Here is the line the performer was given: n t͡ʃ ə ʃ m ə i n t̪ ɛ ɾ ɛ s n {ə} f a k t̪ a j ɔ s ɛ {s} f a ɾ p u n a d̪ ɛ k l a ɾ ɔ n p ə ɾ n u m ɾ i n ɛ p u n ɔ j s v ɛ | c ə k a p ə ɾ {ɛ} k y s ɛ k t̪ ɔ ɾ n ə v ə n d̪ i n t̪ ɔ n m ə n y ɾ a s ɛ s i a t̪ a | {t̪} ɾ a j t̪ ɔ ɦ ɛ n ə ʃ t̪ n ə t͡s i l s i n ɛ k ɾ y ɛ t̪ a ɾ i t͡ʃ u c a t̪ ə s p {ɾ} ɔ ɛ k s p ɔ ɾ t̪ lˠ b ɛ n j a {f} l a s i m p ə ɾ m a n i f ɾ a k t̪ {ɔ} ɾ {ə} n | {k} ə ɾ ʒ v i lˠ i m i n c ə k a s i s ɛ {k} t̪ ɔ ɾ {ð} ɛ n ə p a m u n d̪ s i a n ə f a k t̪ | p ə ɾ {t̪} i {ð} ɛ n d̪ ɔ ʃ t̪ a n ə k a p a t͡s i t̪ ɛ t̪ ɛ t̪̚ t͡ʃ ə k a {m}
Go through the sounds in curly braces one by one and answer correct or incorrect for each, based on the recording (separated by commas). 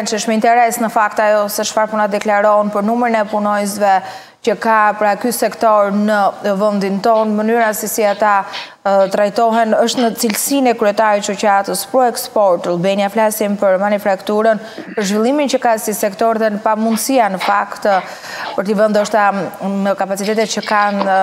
correct, incorrect, incorrect, correct, correct, correct, incorrect, correct, incorrect, correct, correct, correct, incorrect, incorrect